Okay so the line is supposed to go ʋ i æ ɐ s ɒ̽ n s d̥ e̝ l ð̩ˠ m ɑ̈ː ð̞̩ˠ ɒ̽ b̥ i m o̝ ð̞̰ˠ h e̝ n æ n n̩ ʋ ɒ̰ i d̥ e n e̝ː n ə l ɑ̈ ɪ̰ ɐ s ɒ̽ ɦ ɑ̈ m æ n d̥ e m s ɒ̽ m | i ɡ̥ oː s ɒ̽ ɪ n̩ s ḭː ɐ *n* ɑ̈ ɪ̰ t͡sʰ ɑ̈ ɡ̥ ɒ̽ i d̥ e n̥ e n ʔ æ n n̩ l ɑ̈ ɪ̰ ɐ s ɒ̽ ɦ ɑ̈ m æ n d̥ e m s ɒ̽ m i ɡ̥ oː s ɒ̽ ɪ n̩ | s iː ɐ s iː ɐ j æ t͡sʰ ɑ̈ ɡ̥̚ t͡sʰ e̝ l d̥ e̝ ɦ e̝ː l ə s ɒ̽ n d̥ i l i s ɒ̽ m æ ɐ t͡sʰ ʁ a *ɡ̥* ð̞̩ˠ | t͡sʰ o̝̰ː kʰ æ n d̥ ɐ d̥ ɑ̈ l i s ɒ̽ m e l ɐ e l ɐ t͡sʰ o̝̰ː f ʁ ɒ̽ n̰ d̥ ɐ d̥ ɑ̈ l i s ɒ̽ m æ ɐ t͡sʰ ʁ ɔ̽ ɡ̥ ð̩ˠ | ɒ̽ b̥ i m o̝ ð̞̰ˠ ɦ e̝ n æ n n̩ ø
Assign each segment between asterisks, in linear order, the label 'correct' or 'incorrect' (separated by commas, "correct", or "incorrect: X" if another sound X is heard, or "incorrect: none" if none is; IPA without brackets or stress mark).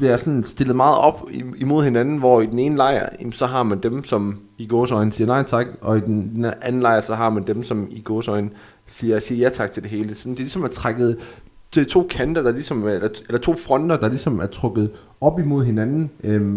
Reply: correct, correct